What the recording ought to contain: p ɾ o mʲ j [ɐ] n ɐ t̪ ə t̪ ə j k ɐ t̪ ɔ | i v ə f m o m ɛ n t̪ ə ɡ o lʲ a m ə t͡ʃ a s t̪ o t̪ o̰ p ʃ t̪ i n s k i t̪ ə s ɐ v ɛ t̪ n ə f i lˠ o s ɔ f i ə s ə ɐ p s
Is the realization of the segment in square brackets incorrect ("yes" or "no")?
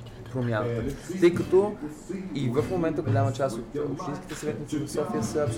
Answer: yes